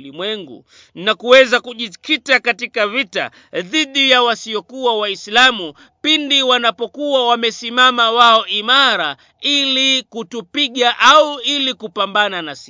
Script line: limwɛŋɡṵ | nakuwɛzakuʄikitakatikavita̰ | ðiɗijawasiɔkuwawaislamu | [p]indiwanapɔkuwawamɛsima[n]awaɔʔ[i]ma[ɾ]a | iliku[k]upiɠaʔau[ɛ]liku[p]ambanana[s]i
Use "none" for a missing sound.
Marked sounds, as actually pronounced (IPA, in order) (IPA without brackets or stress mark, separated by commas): p, m, i, ɾ, t, i, p, s